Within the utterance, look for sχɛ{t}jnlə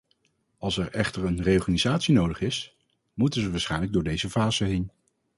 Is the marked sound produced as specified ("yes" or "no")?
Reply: no